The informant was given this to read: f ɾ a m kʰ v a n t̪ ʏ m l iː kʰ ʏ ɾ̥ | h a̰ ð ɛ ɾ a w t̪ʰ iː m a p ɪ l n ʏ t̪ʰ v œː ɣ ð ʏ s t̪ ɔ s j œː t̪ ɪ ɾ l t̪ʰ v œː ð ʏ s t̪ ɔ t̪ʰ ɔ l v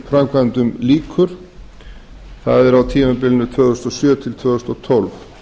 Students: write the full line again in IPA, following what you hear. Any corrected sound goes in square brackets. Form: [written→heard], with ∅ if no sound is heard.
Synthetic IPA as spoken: f ɾ a m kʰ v a n t̪ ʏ m l iː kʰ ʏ ɾ̥ | [h→θ] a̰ ð ɛ ɾ a w t̪ʰ iː m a p ɪ l n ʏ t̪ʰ v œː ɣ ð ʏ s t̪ ɔ s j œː [t̪→t̪ʰ] ɪ [ɾ→∅] l t̪ʰ v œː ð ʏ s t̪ ɔ t̪ʰ ɔ l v